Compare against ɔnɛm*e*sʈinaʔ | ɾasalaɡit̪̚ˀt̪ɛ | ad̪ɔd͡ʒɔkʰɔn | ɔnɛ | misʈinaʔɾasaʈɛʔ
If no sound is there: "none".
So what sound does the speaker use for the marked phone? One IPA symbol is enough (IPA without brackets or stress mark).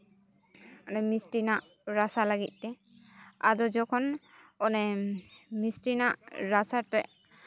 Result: i